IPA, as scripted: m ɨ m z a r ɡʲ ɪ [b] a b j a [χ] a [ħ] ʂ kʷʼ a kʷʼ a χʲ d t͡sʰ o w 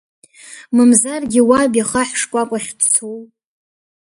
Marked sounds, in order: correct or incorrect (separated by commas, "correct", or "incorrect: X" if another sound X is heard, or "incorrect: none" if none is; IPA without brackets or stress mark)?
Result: incorrect: w, correct, correct